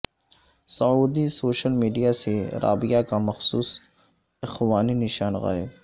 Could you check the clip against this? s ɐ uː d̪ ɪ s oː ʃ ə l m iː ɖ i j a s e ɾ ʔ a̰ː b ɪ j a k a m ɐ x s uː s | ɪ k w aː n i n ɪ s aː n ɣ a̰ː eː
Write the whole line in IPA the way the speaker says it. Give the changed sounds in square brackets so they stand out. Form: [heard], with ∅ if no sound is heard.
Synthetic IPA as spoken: s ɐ uː d̪ [i] s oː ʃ ə l m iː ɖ i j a s e ɾ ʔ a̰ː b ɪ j a k a m ɐ x s uː s | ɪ [x] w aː n i n ɪ [ʃ] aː n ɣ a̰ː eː

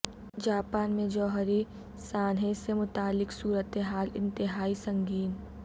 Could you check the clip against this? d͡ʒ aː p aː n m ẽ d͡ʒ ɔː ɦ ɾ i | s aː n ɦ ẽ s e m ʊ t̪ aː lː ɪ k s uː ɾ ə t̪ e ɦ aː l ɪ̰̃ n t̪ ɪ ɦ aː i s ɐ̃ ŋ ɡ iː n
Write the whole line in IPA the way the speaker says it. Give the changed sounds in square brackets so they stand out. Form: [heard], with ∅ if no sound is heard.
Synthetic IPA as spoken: d͡ʒ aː p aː n m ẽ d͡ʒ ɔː ɦ ɾ i | s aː n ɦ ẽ s e m ʊ t̪ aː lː ɪ k s uː ɾ ə t̪ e ɦ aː l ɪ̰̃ n t̪ ɪ ɦ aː i s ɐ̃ ŋ ɡ iː n

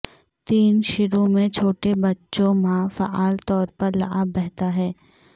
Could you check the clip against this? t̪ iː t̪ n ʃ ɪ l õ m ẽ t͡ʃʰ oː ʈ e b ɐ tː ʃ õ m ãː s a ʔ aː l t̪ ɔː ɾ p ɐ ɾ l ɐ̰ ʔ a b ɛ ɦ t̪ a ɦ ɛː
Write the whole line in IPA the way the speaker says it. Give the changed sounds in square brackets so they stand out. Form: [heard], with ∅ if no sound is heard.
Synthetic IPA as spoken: t̪ iː [∅] n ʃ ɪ [ɾ] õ m ẽ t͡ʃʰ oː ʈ e b ɐ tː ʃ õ m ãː [f] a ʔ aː l t̪ ɔː ɾ p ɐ ɾ l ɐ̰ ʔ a b ɛ ɦ t̪ a ɦ ɛː

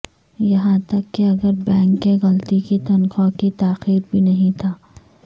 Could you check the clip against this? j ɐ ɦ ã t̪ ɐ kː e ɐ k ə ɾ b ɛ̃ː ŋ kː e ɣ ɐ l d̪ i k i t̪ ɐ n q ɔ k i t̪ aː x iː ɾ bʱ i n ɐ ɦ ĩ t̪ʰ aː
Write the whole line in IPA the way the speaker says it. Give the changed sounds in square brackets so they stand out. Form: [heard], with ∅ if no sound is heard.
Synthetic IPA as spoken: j ɐ ɦ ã t̪ ɐ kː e ɐ [ɡ] ə ɾ b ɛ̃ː ŋ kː e ɣ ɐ l [t̪] i k i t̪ ɐ n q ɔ k i t̪ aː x iː ɾ bʱ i n ɐ ɦ ĩ t̪ʰ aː

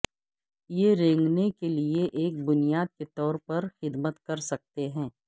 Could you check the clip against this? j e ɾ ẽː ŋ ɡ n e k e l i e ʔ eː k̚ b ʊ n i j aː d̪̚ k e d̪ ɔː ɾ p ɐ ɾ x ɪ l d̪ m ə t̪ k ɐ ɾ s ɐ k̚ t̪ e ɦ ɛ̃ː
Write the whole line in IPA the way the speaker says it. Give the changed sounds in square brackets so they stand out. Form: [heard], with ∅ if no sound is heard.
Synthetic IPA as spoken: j e ɾ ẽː ŋ ɡ n e k e l i e ʔ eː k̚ b ʊ n i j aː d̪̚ k e [t̪] ɔː ɾ p ɐ ɾ x ɪ [∅] d̪ m ə t̪ k ɐ ɾ s ɐ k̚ t̪ e ɦ ɛ̃ː

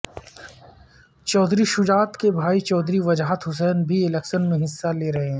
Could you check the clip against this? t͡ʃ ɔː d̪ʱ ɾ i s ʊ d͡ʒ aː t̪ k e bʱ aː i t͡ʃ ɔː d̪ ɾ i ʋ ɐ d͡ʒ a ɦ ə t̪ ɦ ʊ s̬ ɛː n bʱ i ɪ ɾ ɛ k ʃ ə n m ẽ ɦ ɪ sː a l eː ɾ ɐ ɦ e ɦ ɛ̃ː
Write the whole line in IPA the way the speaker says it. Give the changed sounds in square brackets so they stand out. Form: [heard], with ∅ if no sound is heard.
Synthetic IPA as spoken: t͡ʃ ɔː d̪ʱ ɾ i [ʃ] ʊ d͡ʒ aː t̪ k e bʱ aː i t͡ʃ ɔː d̪ ɾ i ʋ ɐ d͡ʒ a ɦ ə t̪ ɦ ʊ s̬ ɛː n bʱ i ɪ [l] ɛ k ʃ ə n m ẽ ɦ ɪ sː a l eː ɾ ɐ ɦ e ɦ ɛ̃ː

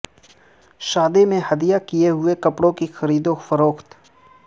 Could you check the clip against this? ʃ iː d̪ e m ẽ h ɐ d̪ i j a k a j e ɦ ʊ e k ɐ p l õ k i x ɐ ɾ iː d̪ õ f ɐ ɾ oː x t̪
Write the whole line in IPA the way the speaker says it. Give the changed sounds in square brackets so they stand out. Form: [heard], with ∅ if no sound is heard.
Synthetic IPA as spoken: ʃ [aː] d̪ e m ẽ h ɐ d̪ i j a k [i] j e ɦ ʊ e k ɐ p [ɽ] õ k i x ɐ ɾ iː d̪ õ f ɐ ɾ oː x t̪

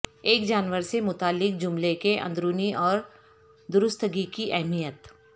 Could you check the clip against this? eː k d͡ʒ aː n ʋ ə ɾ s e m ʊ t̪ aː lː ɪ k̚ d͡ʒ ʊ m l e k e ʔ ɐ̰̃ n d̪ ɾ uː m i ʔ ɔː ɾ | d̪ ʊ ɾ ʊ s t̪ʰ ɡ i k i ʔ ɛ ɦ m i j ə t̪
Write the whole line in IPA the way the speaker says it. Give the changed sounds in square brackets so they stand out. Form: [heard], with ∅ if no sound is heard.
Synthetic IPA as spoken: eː k d͡ʒ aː n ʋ ə ɾ s e m ʊ t̪ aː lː ɪ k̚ d͡ʒ ʊ m l e k e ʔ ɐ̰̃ n d̪ ɾ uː [n] i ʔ ɔː ɾ | d̪ ʊ ɾ ʊ s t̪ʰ ɡ i k i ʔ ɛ ɦ m i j ə t̪

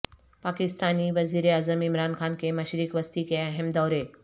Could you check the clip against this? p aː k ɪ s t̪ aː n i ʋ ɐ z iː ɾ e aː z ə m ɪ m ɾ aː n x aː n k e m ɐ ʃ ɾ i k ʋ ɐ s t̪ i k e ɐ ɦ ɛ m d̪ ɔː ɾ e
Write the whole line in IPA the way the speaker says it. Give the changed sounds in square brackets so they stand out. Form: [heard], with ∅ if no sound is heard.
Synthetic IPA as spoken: p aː k ɪ s t̪ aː n i ʋ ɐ z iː ɾ e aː z ə m ɪ m ɾ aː n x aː n k e m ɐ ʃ ɾ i k ʋ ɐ s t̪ i k e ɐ ɦ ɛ m d̪ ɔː ɾ e

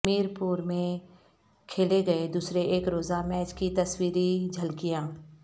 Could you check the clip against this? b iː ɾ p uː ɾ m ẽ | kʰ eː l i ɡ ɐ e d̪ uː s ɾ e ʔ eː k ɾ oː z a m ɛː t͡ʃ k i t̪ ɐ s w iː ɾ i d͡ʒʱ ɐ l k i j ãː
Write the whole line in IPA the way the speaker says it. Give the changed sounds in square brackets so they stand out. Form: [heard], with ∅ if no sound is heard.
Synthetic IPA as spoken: [m] iː ɾ p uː ɾ m ẽ | kʰ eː l [e] ɡ ɐ e d̪ uː s ɾ e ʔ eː k ɾ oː z a m ɛː t͡ʃ k i t̪ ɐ s w iː ɾ i d͡ʒʱ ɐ l k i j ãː

